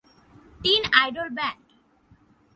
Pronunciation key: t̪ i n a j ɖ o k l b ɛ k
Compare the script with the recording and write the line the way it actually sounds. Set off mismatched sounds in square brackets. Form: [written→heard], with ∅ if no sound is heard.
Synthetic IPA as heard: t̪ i n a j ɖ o [k→∅] l b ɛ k